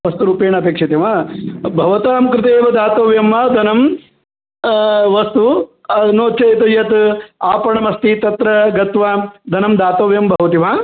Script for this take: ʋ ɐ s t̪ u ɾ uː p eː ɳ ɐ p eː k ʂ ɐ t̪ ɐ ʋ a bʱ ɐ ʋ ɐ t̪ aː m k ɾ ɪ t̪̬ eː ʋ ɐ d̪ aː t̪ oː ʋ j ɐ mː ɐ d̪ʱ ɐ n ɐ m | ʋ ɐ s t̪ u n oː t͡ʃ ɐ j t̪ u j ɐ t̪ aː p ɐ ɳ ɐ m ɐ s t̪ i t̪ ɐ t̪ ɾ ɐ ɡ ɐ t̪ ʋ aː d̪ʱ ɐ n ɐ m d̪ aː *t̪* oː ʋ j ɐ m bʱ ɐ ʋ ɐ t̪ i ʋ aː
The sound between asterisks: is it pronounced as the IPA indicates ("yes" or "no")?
yes